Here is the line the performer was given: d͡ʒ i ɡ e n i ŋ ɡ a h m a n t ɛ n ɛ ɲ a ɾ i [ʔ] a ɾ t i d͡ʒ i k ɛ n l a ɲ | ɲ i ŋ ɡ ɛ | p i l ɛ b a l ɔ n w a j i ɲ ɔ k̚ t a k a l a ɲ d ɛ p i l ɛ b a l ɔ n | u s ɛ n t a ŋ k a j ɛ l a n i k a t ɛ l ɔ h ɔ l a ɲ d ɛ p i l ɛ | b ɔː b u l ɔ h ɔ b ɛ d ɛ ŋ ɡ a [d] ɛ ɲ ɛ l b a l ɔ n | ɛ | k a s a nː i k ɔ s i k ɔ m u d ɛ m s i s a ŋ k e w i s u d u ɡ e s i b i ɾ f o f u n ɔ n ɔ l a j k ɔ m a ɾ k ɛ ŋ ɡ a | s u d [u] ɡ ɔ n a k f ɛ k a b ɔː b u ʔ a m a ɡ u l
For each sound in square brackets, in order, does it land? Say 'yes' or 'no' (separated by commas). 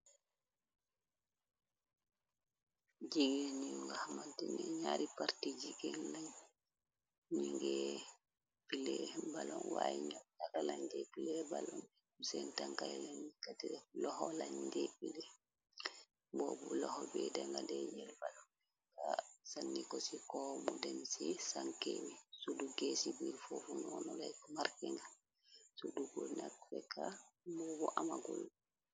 no, yes, yes